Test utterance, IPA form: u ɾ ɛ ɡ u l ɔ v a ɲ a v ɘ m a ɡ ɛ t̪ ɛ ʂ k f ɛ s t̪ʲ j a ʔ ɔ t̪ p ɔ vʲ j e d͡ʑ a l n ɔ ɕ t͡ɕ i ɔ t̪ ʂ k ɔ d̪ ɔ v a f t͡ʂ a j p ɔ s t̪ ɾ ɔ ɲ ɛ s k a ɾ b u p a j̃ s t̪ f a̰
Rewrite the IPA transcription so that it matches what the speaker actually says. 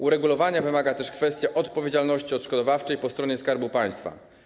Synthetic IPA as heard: u ɾ ɛ ɡ u l ɔ v a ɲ a v ɘ m a ɡ a t̪ ɛ ʂ k f ɛ s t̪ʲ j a ʔ ɔ t̪ p ɔ vʲ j e d͡ʑ a l n ɔ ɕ t͡ɕ i ɔ t̪ ʂ k ɔ d̪ ɔ v a f t͡ʂ ɛ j p ɔ s t̪ ɾ ɔ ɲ ɛ s k a ɾ b u p a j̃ s t̪ f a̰